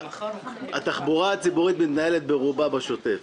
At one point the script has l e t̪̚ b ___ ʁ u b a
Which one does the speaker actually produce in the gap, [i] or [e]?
e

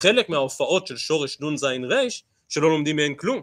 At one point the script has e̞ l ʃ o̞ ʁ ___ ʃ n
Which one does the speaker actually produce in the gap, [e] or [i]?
e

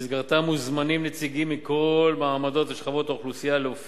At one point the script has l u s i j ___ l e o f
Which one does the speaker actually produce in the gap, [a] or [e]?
a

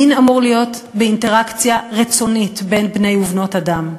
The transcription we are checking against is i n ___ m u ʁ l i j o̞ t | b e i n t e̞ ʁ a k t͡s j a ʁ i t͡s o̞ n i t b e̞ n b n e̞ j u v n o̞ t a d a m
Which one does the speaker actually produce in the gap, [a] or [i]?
a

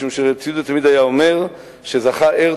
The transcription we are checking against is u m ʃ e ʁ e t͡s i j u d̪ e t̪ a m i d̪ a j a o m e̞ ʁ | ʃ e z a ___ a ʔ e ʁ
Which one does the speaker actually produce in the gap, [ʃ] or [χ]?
χ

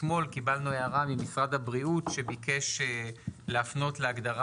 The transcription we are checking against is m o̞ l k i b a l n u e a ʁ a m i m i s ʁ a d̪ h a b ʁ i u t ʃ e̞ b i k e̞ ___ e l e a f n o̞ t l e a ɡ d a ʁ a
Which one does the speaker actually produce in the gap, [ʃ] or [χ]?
ʃ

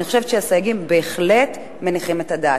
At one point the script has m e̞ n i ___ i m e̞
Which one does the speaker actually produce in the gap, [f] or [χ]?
χ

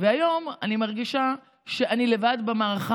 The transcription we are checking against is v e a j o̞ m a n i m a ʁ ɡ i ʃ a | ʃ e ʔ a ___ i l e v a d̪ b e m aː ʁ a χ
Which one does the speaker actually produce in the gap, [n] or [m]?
n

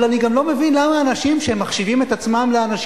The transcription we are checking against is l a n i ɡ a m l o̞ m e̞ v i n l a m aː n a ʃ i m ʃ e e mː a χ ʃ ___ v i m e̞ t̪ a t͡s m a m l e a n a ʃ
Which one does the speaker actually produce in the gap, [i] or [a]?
i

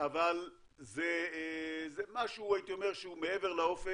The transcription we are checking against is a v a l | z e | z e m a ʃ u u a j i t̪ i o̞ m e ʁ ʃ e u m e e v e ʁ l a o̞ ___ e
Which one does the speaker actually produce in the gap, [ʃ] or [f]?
f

